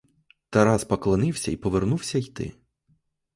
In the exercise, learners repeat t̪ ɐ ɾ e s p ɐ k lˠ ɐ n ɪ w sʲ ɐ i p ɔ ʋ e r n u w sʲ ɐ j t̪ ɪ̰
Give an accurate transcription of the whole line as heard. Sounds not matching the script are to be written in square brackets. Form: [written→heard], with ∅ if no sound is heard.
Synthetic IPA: t̪ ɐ ɾ [e→a] s p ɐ k lˠ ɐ n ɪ w sʲ ɐ i p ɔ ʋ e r n u w sʲ ɐ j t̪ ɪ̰